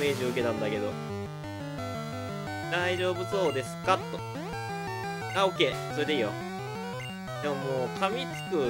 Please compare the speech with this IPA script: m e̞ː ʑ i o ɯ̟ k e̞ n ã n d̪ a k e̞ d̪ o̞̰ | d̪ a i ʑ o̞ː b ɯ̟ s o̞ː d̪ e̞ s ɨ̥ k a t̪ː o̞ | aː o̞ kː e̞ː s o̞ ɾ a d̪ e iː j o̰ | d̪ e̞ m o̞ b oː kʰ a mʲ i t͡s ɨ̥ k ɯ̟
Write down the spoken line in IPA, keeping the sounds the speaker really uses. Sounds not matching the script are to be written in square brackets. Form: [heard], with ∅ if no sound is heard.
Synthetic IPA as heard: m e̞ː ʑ i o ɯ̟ k e̞ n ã n d̪ a k e̞ d̪ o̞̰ | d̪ a i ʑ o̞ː b ɯ̟ s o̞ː d̪ e̞ s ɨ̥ k a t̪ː o̞ | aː o̞ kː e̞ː s o̞ ɾ [e] d̪ e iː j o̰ | d̪ e̞ m o̞ [m] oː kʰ a mʲ i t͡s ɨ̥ k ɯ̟